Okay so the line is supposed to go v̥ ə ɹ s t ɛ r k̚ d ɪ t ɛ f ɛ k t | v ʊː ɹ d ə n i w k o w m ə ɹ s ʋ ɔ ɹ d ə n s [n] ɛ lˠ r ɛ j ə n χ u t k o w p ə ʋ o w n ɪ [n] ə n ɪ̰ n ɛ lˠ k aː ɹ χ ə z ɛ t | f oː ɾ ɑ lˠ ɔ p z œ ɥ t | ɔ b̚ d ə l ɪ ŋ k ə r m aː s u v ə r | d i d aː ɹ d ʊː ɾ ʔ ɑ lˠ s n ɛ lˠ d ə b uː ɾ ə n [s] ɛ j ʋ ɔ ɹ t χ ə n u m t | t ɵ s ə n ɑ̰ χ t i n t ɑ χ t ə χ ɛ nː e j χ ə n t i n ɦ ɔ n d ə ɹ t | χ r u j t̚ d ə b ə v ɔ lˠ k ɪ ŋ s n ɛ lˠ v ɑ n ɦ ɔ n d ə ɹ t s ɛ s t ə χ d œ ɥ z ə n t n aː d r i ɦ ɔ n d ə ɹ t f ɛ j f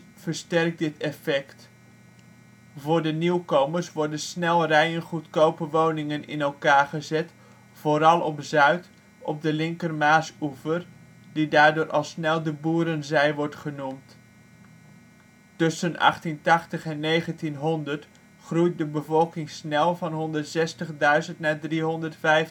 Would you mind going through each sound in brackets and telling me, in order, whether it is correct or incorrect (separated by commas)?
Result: correct, incorrect, incorrect